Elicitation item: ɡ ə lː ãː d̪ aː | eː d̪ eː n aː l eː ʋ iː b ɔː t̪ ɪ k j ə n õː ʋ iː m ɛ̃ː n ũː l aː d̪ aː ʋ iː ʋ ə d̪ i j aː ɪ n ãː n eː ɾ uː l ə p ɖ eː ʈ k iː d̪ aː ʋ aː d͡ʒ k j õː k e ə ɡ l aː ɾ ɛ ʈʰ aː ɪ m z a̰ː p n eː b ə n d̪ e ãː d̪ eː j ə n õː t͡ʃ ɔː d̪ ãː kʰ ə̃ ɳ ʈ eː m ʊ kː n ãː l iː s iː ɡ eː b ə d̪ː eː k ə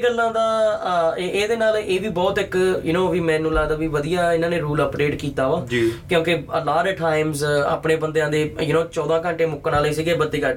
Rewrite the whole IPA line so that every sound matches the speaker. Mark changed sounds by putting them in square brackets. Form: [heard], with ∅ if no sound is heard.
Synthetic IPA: ɡ ə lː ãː d̪ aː | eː d̪ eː n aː l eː ʋ iː b ɔː t̪ ɪ k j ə n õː ʋ iː m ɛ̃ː n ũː l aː d̪ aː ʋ iː ʋ ə d̪ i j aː ɪ n ãː n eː ɾ uː l ə p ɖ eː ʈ k iː [t̪] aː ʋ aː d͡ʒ k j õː k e ə [∅] l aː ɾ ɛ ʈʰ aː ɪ m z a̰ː p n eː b ə n d̪ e ãː d̪ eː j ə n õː t͡ʃ ɔː d̪ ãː [k] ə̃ ɳ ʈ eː m ʊ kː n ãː l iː s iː ɡ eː b ə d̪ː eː k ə